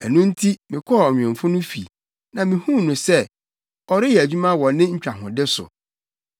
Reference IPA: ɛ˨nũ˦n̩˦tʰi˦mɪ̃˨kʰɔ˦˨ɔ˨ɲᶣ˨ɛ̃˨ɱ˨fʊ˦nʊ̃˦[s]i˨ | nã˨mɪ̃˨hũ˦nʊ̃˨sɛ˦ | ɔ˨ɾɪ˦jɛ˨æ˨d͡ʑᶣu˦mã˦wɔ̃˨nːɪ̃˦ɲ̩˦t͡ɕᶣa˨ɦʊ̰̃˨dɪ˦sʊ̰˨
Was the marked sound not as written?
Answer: yes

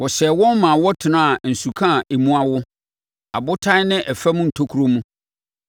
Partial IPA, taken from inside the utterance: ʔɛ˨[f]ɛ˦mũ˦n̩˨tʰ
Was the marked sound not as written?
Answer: no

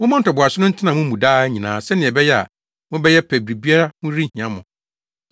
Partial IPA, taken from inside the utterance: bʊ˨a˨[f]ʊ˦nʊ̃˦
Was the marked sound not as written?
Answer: yes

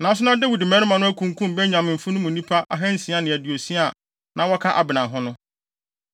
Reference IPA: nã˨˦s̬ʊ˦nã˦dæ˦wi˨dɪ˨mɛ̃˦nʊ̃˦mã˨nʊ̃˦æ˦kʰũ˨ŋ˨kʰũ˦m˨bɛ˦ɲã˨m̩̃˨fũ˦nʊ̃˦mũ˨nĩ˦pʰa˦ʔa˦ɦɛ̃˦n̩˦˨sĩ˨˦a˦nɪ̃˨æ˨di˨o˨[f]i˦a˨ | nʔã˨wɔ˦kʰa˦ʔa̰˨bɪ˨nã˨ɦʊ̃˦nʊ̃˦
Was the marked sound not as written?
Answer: yes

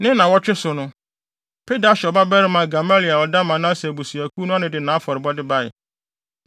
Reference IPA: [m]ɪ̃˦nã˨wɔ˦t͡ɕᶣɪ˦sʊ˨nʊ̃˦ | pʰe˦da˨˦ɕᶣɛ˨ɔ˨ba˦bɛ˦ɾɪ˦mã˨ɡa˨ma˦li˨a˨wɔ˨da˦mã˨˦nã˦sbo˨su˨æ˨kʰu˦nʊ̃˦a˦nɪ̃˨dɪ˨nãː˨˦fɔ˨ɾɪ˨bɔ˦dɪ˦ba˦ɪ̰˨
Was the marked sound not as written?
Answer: yes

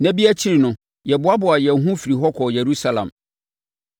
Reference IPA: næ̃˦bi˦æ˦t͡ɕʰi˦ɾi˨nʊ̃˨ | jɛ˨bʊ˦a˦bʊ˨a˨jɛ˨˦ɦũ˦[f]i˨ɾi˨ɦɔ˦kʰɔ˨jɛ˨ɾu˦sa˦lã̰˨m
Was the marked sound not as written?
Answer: no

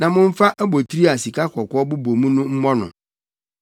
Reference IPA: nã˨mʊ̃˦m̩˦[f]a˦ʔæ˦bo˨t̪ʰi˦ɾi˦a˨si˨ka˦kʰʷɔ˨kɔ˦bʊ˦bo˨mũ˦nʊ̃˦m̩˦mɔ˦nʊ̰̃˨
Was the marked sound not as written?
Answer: no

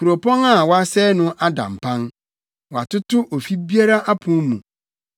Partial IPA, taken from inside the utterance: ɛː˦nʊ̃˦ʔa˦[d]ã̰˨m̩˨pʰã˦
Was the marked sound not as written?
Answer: no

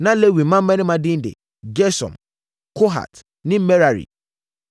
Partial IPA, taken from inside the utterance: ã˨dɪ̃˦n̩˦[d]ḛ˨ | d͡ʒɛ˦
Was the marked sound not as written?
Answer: no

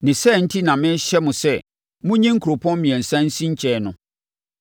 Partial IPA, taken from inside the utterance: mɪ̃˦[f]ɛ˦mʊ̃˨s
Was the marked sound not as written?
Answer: yes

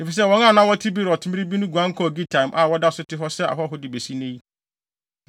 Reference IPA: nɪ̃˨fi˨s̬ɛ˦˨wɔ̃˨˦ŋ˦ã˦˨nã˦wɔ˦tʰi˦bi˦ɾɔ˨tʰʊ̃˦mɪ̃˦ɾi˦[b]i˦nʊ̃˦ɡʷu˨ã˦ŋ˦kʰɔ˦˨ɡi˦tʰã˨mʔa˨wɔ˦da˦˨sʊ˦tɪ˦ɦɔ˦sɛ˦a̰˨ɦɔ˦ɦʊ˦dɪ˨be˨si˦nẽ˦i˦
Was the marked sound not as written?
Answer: no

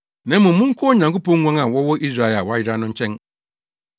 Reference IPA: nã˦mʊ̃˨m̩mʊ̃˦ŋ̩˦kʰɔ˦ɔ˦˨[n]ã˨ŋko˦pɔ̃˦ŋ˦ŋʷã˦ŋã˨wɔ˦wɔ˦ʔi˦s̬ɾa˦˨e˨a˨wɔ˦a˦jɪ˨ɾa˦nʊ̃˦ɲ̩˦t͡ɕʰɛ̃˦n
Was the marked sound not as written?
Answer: yes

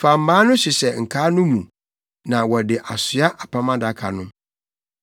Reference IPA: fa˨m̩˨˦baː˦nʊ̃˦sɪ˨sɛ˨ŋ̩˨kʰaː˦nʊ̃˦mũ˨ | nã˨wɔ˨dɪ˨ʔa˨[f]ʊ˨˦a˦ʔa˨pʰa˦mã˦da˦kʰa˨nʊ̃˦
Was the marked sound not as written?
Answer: yes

